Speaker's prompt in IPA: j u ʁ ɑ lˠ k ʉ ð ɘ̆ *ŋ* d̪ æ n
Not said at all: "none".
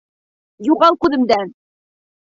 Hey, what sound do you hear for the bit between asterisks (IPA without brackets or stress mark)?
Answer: m